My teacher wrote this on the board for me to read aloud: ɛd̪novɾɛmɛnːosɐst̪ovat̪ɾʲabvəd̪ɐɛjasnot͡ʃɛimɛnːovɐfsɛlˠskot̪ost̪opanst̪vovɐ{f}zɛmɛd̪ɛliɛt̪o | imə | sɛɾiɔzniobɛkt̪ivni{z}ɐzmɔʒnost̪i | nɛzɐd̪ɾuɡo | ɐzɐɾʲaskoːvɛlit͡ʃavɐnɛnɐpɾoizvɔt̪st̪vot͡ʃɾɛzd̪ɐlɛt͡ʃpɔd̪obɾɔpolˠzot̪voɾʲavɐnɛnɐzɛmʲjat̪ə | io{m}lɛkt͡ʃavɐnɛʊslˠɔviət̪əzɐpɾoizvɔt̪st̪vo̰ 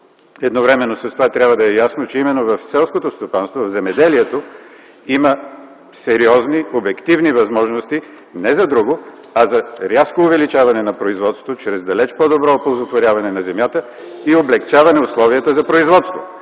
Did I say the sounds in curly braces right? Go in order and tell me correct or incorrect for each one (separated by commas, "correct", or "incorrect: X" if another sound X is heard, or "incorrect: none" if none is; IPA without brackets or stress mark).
incorrect: v, incorrect: v, incorrect: b